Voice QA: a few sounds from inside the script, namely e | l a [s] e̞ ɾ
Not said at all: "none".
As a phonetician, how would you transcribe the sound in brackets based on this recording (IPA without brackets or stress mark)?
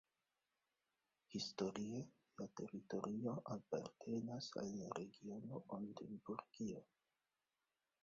t